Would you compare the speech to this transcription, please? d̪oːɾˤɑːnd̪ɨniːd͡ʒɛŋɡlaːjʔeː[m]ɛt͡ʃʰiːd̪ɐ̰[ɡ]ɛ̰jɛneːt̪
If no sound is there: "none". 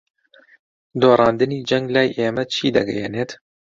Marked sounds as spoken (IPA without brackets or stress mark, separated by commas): m, ɡ